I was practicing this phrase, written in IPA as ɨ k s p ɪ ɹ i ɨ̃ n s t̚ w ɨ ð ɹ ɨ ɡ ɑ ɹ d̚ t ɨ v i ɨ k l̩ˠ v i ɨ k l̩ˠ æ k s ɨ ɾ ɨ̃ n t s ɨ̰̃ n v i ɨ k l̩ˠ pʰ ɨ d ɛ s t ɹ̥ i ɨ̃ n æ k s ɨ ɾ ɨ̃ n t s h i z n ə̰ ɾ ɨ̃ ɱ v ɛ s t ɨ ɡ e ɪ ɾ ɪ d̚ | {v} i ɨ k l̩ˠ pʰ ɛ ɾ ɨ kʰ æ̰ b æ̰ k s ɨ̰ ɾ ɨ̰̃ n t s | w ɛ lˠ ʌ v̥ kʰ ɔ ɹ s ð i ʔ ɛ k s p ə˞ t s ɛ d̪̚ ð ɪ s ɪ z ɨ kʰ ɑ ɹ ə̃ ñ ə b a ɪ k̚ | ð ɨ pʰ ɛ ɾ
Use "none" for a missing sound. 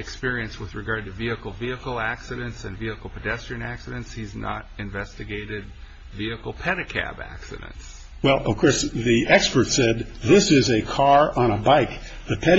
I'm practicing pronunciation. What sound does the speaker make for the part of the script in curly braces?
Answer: v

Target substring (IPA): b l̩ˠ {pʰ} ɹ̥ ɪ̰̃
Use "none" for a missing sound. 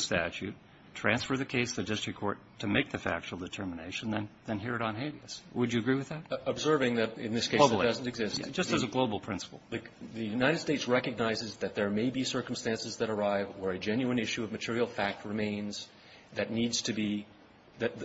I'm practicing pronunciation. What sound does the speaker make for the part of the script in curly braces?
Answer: pʰ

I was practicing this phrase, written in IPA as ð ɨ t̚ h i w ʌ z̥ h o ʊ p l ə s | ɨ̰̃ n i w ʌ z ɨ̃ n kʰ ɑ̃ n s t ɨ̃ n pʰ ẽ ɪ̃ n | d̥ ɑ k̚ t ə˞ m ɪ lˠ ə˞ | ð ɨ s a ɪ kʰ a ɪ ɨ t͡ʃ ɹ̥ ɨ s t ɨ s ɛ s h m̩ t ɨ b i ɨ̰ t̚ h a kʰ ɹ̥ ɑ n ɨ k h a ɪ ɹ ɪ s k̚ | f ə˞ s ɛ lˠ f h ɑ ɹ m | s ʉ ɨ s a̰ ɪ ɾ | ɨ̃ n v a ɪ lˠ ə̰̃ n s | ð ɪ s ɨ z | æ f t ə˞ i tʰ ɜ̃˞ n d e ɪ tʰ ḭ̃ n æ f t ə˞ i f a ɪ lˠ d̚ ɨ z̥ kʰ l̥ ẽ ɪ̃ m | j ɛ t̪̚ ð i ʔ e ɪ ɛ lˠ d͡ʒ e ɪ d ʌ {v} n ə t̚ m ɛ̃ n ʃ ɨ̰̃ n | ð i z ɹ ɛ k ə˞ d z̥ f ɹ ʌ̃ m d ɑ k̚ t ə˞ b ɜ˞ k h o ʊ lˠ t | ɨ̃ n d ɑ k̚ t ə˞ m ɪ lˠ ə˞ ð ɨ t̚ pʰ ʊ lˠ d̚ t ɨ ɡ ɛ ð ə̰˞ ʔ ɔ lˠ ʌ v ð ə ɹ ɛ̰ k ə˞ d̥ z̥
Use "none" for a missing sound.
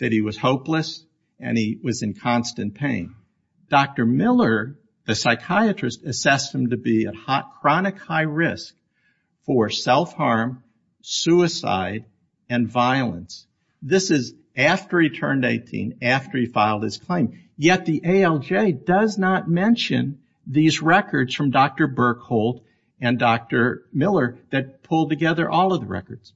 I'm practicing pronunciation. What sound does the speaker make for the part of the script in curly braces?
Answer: z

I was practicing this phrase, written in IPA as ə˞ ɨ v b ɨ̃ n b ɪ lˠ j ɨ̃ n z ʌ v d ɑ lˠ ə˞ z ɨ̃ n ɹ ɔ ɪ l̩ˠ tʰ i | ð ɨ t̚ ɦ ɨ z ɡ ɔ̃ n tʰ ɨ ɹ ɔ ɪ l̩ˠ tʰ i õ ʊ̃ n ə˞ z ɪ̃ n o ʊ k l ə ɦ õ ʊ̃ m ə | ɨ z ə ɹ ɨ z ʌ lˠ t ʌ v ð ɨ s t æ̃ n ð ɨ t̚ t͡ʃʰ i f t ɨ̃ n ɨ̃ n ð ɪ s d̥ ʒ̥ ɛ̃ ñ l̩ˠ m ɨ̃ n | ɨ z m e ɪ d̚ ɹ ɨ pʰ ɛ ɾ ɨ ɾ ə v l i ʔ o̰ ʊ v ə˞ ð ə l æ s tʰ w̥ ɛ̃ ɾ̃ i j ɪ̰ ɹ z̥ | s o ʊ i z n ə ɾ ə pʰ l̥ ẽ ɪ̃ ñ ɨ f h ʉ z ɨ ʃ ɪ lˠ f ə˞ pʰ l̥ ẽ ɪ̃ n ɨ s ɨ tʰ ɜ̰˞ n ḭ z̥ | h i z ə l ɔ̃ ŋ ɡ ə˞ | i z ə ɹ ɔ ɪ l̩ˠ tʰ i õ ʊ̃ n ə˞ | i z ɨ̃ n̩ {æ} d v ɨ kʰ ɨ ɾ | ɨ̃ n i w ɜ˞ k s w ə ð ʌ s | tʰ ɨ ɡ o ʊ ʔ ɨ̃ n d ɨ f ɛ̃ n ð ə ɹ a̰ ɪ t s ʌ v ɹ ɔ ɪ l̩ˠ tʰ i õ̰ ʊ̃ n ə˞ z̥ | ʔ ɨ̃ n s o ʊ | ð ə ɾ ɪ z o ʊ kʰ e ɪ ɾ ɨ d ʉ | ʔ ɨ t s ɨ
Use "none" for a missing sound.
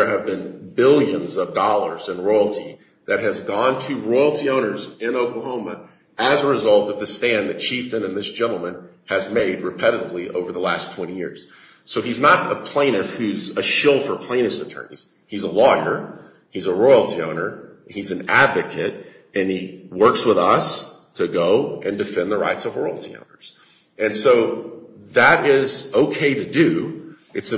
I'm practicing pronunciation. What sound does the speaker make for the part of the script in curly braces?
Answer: æ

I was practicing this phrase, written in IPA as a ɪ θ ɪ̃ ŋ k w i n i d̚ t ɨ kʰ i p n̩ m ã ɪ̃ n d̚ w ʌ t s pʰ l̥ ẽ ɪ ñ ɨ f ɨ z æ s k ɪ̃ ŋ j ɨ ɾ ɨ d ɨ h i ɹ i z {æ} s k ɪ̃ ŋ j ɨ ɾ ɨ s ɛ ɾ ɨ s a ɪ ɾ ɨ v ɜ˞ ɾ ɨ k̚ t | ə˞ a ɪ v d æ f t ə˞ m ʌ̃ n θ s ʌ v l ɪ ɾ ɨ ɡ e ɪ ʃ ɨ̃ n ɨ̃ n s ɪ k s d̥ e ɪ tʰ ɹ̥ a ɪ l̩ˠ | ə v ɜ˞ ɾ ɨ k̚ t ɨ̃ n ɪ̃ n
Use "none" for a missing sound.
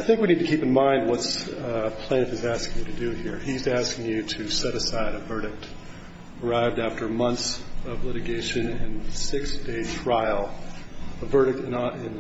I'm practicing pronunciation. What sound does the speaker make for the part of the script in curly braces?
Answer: æ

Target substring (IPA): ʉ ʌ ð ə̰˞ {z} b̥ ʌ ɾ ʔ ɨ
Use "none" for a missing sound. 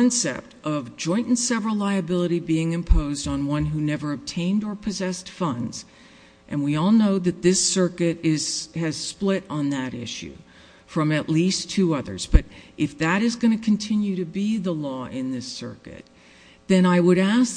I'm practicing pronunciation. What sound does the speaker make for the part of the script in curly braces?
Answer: z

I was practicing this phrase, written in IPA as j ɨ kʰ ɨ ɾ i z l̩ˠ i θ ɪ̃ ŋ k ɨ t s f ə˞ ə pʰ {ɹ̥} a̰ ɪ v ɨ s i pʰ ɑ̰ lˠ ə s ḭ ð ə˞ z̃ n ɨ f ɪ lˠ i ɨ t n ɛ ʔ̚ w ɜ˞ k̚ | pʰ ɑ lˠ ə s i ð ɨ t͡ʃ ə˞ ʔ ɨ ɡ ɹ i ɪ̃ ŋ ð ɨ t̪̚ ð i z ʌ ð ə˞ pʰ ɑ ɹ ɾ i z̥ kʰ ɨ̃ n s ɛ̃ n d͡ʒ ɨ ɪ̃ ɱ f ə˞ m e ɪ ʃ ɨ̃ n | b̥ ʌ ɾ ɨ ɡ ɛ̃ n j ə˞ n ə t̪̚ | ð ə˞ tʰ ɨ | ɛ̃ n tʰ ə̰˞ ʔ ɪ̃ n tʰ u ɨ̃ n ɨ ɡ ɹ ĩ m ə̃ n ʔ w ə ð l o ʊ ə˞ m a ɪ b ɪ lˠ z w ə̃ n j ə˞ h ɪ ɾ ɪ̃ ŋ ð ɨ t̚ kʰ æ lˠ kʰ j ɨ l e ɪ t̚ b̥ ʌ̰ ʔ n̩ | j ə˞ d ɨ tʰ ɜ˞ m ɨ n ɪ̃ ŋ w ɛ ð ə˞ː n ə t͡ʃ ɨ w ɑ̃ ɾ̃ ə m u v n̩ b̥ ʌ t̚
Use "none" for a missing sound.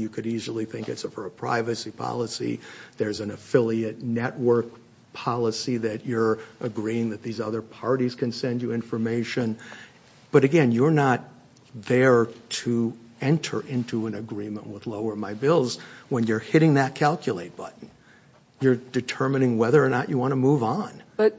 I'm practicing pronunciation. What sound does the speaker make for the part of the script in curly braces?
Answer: ɹ̥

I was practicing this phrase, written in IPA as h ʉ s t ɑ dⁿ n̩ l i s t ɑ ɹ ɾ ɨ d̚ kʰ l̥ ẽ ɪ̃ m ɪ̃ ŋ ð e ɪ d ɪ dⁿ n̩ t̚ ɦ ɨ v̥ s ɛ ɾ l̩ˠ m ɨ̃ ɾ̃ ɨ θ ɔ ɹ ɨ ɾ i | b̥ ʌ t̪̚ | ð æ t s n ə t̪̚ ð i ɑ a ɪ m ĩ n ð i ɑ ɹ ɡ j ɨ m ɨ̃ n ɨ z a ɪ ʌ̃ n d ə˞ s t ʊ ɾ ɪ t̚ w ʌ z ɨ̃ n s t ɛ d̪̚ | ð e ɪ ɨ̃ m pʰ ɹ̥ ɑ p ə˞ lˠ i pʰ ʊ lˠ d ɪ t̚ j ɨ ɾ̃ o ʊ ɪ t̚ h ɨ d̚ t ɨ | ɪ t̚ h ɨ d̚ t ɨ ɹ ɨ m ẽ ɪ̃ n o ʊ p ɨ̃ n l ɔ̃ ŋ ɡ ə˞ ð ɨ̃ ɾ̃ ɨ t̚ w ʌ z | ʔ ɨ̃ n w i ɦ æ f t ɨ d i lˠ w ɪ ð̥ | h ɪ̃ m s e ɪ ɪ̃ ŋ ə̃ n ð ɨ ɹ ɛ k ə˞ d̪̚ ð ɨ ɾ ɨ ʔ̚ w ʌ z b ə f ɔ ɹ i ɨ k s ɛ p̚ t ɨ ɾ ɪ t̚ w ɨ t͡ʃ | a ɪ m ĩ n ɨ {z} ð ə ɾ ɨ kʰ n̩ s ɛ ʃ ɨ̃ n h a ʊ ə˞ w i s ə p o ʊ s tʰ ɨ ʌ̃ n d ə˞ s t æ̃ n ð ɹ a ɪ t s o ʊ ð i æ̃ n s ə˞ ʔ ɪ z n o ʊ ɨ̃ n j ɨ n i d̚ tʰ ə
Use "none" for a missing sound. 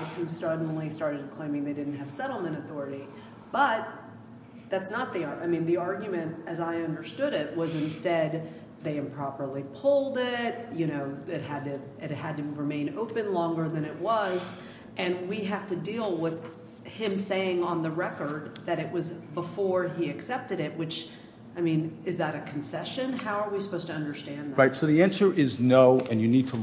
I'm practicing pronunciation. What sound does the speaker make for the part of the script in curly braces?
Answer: z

